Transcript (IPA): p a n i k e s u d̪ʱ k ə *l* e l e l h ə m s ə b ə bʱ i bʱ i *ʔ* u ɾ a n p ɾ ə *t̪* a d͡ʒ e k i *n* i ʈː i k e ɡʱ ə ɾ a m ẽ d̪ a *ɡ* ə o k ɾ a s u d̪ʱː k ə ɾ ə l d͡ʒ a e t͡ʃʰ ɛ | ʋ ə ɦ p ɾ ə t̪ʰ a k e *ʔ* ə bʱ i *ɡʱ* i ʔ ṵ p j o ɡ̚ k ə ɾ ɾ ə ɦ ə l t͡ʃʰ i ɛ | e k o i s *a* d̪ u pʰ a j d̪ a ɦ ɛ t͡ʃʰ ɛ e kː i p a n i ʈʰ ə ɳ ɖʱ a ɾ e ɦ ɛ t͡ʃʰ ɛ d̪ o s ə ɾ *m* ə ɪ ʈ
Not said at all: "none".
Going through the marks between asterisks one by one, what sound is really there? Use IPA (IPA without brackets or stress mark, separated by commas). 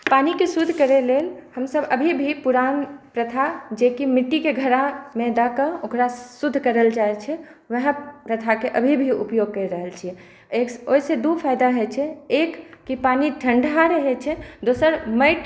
ɾ, p, t̪ʰ, m, k, ʔ, bʱ, e, m